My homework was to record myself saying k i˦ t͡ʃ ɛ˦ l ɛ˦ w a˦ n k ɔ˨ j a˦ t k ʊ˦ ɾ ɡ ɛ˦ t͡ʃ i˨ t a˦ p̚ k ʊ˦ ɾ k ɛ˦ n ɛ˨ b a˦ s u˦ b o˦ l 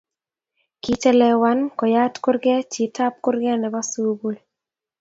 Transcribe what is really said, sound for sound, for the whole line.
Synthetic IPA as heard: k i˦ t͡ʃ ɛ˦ l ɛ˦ w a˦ n k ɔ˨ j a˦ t k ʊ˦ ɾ ɡ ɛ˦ t͡ʃ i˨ t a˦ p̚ k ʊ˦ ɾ ɡ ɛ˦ n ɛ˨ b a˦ s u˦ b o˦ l